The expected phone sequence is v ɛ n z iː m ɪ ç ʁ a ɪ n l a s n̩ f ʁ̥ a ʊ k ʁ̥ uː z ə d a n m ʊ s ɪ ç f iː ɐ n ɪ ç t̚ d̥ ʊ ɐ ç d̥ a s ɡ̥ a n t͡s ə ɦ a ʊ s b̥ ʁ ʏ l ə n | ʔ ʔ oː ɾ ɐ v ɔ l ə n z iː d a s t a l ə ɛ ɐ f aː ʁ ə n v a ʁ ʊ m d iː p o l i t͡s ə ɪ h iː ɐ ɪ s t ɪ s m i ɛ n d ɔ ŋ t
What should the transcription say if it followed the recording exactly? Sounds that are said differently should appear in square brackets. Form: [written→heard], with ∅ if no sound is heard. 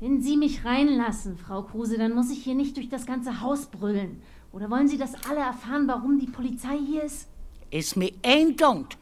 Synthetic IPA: v ɛ n z iː m ɪ ç ʁ a ɪ n l a s n̩ f ʁ̥ a ʊ k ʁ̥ uː z ə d a n m ʊ s ɪ ç [f→h] iː ɐ n ɪ ç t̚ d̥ ʊ ɐ ç d̥ a s ɡ̥ a n t͡s ə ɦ a ʊ s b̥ ʁ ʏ l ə n | ʔ ʔ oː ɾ ɐ v ɔ l ə n z iː d a s [t→ʔ] a l ə ɛ ɐ f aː ʁ ə n v a ʁ ʊ m d iː [p→pʰ] o l i t͡s [ə→a] ɪ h iː ɐ ɪ s t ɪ s m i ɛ n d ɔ ŋ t